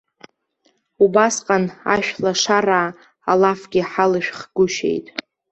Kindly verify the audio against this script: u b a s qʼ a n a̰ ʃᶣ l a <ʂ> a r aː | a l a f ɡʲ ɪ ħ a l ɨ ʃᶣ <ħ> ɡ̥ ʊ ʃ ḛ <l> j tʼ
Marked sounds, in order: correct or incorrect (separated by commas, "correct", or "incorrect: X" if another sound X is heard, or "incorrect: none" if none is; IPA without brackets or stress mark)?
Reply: correct, incorrect: χ, incorrect: none